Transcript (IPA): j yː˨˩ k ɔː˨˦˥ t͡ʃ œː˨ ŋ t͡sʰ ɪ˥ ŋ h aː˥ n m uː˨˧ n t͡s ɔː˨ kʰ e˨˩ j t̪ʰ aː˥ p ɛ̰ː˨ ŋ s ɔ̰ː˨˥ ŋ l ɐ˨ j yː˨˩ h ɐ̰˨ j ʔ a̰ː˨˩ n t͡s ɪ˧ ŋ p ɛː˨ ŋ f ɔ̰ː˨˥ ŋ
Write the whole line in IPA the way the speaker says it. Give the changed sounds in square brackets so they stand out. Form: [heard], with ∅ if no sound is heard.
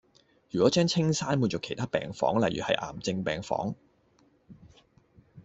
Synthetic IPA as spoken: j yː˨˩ k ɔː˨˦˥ t͡ʃ [œː˥] ŋ t͡sʰ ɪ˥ ŋ [s] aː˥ n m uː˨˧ n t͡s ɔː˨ kʰ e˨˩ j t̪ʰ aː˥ p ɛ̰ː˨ ŋ [f] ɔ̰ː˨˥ ŋ l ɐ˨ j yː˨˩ h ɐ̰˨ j ʔ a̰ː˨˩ [m] t͡s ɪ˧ ŋ p ɛː˨ ŋ f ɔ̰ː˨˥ ŋ

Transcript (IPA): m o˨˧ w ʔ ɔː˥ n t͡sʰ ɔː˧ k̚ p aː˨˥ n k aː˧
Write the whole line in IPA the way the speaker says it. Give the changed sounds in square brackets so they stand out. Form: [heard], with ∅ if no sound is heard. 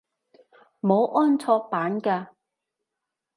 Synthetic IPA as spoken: m o˨˧ w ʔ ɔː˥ n t͡sʰ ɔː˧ k̚ p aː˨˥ n k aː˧

